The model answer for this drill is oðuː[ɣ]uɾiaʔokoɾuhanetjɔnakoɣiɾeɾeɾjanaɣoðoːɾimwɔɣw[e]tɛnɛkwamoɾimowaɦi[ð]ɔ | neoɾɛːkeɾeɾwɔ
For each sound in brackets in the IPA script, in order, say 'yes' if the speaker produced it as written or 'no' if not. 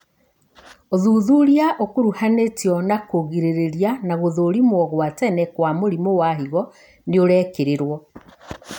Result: no, no, no

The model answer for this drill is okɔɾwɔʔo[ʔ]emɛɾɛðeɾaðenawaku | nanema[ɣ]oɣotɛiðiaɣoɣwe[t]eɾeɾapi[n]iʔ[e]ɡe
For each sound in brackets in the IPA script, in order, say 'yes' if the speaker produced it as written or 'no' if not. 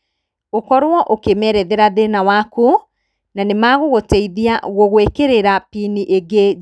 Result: no, yes, no, yes, yes

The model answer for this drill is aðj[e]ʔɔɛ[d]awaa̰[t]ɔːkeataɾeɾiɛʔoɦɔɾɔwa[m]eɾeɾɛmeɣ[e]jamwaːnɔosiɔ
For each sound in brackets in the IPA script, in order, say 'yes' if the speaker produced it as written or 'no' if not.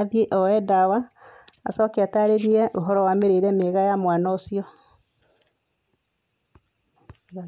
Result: yes, yes, no, yes, no

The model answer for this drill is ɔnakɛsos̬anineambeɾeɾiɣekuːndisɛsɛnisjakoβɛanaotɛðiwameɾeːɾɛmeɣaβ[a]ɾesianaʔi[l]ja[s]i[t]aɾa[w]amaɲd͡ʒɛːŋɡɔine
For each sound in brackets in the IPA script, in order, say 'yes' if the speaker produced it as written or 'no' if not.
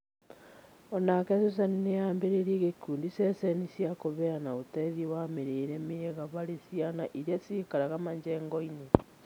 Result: yes, no, yes, no, no

